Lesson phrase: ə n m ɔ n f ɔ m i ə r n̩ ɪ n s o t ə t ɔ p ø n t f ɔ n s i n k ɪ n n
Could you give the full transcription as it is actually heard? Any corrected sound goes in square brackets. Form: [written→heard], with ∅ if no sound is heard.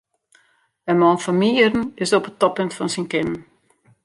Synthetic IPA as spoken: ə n m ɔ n f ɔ m i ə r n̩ ɪ [n→∅] s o [t→p] ə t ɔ p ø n t f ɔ n s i n k ɪ n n